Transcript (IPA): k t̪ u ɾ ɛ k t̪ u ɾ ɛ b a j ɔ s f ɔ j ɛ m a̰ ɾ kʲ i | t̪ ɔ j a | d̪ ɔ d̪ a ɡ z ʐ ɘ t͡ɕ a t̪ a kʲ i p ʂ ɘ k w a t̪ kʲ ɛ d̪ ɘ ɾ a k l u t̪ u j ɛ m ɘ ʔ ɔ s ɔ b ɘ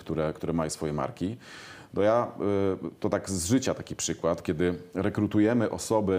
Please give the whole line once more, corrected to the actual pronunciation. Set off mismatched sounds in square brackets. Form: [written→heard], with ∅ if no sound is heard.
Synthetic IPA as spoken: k t̪ u ɾ ɛ k t̪ u ɾ ɛ [b→m] a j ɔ s f ɔ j ɛ m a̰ ɾ kʲ i | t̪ ɔ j a | [d̪→t̪] ɔ [d̪→t̪] a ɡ z ʐ ɘ t͡ɕ a t̪ a kʲ i p ʂ ɘ k w a t̪ kʲ ɛ d̪ ɘ ɾ [a→ɛ] k [l→ɾ] u t̪ u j ɛ m ɘ ʔ ɔ s ɔ b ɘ